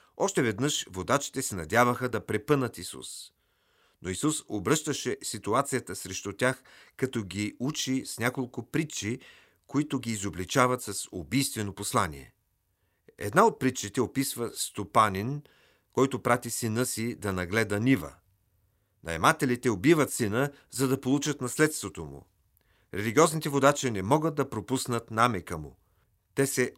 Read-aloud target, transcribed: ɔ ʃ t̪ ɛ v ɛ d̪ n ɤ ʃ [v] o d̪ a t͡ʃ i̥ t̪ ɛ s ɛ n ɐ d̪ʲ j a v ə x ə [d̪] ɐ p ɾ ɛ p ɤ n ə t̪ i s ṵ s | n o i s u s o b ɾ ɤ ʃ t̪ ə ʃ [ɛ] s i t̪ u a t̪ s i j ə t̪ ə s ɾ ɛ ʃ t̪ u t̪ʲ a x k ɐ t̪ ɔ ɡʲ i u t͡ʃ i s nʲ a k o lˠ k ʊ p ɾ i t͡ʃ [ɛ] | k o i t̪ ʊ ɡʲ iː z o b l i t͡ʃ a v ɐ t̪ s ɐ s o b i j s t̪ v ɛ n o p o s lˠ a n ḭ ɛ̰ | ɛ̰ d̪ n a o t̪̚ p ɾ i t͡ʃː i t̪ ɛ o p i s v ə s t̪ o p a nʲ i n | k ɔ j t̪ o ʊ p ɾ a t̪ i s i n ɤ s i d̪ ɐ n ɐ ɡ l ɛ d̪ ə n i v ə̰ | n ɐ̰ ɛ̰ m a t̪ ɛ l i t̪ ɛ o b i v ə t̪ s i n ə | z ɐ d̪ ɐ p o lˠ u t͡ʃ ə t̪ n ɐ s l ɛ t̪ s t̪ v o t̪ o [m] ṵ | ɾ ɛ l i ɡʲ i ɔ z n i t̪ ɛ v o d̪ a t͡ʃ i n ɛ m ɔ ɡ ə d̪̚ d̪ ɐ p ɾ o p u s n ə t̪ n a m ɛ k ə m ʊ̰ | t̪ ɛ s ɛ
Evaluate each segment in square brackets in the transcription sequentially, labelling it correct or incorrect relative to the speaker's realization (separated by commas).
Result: correct, correct, correct, incorrect, correct